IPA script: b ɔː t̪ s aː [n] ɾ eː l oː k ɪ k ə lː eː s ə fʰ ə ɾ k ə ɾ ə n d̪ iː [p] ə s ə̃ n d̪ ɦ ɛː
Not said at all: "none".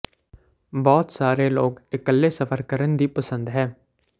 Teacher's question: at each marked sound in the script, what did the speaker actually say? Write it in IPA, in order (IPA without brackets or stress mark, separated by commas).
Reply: none, p